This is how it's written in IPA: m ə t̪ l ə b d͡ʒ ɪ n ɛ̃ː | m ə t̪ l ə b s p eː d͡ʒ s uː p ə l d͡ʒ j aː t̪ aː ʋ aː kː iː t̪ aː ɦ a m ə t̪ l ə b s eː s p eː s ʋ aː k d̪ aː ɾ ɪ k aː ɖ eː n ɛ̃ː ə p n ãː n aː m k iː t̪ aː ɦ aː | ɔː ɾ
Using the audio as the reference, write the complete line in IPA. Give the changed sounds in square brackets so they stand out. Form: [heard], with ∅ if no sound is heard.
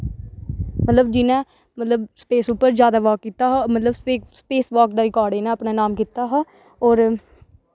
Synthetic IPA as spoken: m ə t̪ l ə b d͡ʒ ɪ n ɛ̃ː | m ə t̪ l ə b s p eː [∅] s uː p ə [ɾ] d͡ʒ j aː [d̪] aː ʋ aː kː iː t̪ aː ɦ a m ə t̪ l ə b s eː s p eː s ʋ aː k d̪ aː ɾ ɪ k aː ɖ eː n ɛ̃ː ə p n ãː n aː m k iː t̪ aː ɦ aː | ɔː ɾ